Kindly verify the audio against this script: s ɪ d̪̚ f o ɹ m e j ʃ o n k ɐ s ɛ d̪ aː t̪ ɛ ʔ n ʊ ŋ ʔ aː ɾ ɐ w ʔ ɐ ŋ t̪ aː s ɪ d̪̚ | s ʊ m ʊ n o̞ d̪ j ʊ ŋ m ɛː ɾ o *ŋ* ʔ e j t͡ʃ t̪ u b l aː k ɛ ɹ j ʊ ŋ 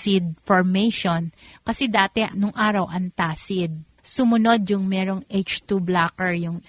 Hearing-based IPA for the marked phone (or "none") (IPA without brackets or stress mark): ŋ